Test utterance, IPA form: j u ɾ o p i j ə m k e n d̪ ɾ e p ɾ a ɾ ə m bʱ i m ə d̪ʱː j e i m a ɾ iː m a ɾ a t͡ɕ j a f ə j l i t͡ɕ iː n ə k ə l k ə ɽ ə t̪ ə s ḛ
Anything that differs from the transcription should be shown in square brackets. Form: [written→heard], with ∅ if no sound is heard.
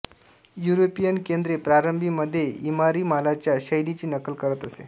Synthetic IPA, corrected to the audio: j u ɾ o p i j ə [m→n] k e n d̪ ɾ e p ɾ a ɾ ə m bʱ i m ə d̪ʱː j e i m a ɾ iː m a [ɾ→l] a t͡ɕ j a [f→ɕ] ə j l i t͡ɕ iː n ə k ə l k ə [ɽ→ɾ] ə t̪ ə s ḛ